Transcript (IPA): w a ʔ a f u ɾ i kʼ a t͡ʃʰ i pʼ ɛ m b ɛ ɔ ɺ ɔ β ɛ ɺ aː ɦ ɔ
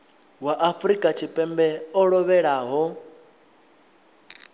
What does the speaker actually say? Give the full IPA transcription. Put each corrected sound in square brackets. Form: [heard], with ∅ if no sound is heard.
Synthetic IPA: w a ʔ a f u ɾ i kʼ a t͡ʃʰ i pʼ ɛ m b ɛ ɔ ɺ ɔ β ɛ ɺ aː ɦ ɔ